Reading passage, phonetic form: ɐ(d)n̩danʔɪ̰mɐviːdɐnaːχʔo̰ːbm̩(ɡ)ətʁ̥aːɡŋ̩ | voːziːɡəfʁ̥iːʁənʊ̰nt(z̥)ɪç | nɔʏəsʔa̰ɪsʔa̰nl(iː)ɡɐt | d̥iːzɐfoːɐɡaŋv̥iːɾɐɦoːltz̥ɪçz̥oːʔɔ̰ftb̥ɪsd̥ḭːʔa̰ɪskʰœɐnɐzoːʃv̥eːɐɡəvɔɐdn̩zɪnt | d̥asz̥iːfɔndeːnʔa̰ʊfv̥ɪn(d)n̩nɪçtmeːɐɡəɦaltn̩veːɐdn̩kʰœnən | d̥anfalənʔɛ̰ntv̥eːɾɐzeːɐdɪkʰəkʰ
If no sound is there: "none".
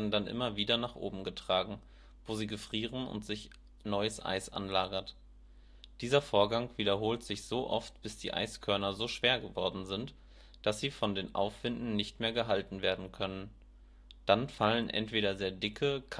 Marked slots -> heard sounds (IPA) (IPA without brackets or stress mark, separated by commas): d, ɡ, z̥, aː, d